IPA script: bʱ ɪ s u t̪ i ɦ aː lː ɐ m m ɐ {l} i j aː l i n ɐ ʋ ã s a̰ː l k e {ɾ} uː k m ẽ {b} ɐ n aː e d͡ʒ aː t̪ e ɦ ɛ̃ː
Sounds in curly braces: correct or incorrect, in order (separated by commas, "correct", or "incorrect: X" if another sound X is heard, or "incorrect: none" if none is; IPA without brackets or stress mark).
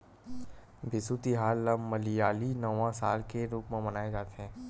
correct, correct, incorrect: m